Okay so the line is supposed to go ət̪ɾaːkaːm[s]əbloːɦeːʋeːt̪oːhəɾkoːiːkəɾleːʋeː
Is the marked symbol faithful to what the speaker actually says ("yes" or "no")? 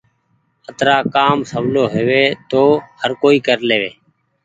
yes